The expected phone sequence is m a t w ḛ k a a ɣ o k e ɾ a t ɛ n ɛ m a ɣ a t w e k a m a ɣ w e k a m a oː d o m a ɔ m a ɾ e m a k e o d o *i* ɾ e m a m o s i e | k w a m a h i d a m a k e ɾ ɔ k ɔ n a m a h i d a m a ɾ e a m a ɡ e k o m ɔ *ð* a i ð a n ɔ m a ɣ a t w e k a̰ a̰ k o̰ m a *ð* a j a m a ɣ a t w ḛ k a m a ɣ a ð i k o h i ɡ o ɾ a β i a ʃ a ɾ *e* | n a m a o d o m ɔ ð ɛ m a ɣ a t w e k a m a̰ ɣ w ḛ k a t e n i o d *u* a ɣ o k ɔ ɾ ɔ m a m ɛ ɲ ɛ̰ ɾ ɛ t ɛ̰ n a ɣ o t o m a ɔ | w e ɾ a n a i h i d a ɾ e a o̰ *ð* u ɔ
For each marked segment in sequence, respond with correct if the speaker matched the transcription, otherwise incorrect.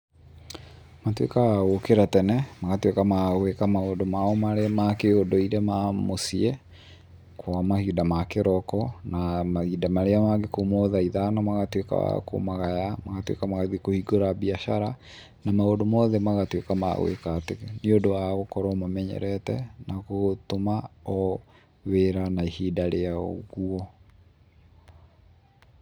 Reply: correct, correct, incorrect: ɣ, incorrect: a, incorrect: o, incorrect: ɣ

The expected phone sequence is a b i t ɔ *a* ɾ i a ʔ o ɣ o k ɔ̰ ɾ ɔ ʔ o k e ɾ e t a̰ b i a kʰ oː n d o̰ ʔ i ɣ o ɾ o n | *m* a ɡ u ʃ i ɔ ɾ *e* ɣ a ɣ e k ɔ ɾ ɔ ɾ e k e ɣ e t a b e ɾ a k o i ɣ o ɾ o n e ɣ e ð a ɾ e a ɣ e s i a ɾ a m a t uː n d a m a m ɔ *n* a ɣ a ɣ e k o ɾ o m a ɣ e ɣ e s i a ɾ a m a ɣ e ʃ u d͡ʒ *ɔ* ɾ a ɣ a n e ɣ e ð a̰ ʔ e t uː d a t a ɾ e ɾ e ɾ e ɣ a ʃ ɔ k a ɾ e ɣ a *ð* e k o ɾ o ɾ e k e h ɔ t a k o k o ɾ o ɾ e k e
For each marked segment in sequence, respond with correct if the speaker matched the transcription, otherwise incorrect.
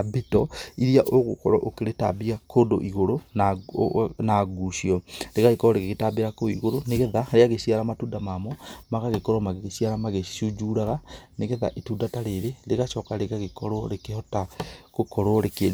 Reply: incorrect: i, incorrect: n, correct, incorrect: m, incorrect: u, incorrect: ɣ

